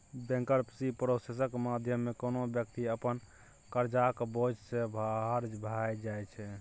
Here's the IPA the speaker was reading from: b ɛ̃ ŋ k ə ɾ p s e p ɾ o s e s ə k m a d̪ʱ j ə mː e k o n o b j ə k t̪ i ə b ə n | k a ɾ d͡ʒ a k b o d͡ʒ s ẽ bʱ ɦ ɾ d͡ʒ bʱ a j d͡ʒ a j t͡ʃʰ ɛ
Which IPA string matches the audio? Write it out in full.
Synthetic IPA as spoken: b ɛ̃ ŋ k ə ɾ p s i p ɾ o s e s ə k m a d̪ʱ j ə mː e k o n o b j ə k t̪ i ə p ə n | k ə ɾ d͡ʒ a k b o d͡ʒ s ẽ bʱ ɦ ɾ d͡ʒ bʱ a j d͡ʒ a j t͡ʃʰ ɛ

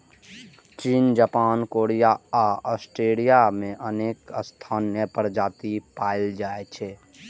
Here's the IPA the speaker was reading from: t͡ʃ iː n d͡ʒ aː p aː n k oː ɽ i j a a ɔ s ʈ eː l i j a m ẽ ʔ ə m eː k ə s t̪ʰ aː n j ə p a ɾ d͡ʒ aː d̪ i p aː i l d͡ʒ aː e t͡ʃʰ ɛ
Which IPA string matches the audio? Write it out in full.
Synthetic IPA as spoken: t͡ʃ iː n d͡ʒ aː p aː n k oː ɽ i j a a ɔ s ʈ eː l i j a m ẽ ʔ ə n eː k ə s t̪ʰ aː n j ə p ə ɾ d͡ʒ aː t̪ i p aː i l d͡ʒ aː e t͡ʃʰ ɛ

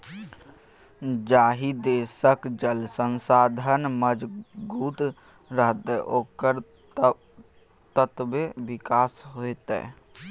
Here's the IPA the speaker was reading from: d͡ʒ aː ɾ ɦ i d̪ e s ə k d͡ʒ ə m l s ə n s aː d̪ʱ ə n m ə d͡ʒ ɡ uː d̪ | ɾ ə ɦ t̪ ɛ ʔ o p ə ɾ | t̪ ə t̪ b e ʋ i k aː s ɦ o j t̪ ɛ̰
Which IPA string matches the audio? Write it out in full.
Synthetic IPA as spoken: d͡ʒ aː ɦ i d̪ e s ə k d͡ʒ ə l s ə n s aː d̪ʱ ə n m ə d͡ʒ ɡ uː t̪ | ɾ ə ɦ t̪ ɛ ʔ o k ə ɾ | t̪ ə t̪ b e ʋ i k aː s ɦ o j t̪ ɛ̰

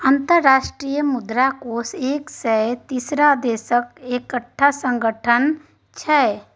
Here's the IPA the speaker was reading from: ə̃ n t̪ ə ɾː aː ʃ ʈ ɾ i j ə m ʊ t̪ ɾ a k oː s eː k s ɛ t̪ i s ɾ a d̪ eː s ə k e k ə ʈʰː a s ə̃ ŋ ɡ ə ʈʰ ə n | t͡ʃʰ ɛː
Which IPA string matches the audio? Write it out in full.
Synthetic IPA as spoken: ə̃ n t̪ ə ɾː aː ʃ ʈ ɾ i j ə m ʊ d̪ ɾ a k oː s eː k s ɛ t̪ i s ɾ a d̪ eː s ə k e k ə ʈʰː a s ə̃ ŋ ɡ ə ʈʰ ə n | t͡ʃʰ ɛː

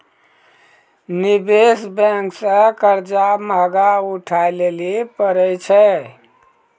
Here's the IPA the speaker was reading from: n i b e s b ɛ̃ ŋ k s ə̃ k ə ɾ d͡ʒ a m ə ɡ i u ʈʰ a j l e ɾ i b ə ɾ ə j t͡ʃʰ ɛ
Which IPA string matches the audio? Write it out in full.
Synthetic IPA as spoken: n i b e s b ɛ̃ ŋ k s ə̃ k ə ɾ d͡ʒ a m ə ɡ a u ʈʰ a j l e l i p ə ɾ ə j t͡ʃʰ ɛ

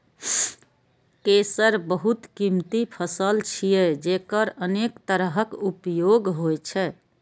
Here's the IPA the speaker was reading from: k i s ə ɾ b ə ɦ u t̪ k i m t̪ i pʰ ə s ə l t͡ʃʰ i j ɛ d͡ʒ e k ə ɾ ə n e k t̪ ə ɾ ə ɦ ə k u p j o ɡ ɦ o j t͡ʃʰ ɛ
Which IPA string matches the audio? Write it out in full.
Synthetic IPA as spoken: k e s ə ɾ b ə ɦ u t̪ k i m t̪ i pʰ ə s ə l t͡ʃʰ i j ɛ d͡ʒ e k ə ɾ ə n e k t̪ ə ɾ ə ɦ ə k u p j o ɡ ɦ o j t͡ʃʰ ɛ

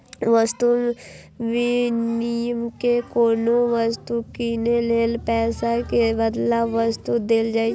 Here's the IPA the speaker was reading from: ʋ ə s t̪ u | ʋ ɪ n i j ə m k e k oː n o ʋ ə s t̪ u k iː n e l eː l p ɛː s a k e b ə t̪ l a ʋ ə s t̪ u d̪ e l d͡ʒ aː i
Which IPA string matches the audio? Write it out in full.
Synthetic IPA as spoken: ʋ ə s t̪ u | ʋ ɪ n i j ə m k e k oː n o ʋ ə s t̪ u k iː n e l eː l p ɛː s a k e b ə d̪ l a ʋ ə s t̪ u d̪ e l d͡ʒ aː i

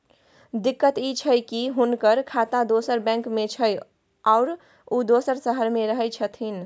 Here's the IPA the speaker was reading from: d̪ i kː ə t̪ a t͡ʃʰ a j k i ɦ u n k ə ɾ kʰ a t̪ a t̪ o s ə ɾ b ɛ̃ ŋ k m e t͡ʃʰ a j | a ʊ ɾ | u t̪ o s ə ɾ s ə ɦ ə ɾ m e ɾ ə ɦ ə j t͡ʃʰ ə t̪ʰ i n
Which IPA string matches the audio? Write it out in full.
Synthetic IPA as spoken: d̪ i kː ə t̪ i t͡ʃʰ ə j k i ɦ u n k ə ɾ kʰ a t̪ a d̪ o s ə ɾ b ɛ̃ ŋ k m e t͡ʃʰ ə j | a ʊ ɾ | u d̪ o s ə ɾ s ə ɦ ə ɾ m e ɾ ə ɦ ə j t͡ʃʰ ə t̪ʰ i n

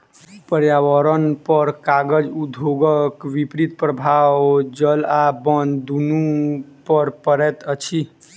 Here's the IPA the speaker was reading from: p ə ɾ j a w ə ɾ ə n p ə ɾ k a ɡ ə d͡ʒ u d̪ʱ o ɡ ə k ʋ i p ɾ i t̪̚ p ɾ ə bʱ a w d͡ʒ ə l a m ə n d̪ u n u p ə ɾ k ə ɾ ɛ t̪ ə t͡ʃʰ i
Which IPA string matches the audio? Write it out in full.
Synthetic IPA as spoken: p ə ɾ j a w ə ɾ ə n p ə ɾ k a ɡ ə d͡ʒ u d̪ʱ o ɡ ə k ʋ i p ɾ i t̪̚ p ɾ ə bʱ a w d͡ʒ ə l a b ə n d̪ u n u p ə ɾ p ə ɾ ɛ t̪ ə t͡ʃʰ i

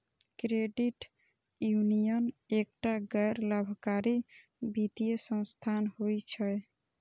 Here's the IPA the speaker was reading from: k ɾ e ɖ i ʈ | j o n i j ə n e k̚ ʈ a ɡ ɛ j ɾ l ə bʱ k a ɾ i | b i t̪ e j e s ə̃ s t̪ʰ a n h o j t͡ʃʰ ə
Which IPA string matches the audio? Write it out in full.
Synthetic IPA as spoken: k ɾ e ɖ i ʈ | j u n i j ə n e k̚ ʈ a ɡ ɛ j ɾ l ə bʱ k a ɾ i | b i t̪ i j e s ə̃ s t̪ʰ a n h o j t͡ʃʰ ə

